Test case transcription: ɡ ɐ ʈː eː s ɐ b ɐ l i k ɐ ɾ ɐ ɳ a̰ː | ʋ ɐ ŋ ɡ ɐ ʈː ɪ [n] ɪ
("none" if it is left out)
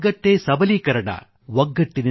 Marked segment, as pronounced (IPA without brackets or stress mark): n